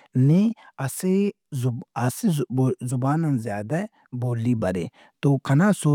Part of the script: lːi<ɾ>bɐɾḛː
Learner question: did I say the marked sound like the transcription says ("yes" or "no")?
no